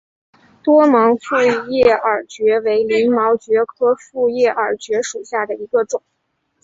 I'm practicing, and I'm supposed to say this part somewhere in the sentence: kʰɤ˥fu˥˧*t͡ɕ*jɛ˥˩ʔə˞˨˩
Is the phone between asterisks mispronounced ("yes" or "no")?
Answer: yes